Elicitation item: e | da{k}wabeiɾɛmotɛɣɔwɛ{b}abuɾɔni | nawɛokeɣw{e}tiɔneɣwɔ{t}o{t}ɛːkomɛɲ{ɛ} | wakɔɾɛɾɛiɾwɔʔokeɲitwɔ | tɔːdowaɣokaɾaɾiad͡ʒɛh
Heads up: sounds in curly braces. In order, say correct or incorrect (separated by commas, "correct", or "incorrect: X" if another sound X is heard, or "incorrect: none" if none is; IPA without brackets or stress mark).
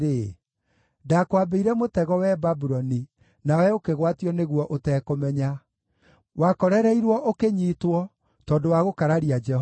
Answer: correct, correct, incorrect: a, incorrect: ʔ, correct, incorrect: a